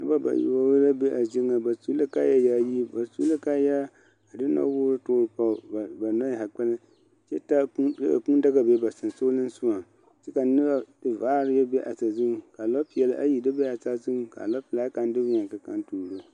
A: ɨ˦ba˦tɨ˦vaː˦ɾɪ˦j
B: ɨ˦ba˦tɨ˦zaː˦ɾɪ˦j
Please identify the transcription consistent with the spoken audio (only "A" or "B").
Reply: A